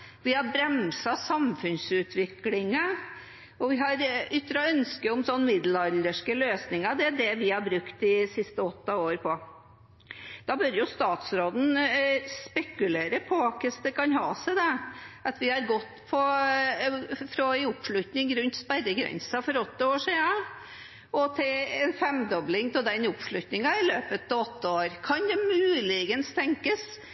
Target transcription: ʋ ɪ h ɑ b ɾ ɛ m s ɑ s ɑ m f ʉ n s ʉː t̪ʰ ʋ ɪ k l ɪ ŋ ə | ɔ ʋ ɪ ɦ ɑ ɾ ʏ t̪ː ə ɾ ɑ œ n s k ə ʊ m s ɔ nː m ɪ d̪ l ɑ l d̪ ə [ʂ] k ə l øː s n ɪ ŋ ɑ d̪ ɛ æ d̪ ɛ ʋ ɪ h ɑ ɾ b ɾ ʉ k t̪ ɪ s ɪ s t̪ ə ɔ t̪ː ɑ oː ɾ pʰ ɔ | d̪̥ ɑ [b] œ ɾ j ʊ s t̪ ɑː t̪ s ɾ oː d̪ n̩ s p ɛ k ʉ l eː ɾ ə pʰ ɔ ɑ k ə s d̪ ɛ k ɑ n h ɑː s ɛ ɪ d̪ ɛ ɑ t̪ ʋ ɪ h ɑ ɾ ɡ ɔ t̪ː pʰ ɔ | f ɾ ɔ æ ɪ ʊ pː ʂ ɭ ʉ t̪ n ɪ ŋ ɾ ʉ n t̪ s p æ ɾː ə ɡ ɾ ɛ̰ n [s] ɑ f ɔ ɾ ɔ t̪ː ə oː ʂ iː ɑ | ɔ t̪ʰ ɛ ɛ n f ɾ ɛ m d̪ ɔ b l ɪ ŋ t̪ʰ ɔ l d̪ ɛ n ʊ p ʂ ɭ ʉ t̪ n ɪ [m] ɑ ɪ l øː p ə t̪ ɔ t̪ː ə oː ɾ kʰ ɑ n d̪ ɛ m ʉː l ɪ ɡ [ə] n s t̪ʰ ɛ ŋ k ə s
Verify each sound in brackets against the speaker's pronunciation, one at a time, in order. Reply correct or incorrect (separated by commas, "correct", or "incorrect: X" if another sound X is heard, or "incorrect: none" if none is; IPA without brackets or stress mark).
correct, correct, correct, incorrect: ŋ, correct